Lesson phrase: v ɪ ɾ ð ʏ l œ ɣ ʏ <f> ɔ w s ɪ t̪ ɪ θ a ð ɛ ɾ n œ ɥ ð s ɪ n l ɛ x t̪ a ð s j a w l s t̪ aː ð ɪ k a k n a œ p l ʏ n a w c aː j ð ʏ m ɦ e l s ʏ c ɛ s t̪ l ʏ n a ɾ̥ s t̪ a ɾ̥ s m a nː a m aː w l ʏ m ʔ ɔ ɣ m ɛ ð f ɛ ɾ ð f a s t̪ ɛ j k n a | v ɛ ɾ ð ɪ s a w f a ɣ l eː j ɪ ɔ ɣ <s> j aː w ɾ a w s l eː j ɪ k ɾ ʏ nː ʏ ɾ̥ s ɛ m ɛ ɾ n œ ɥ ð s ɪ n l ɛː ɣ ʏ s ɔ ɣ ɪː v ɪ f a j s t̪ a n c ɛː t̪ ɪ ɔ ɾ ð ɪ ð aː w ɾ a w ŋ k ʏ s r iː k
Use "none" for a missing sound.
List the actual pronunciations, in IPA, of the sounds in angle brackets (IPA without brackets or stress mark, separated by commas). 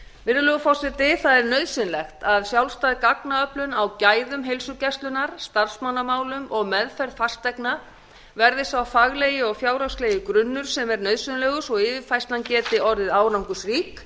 f, f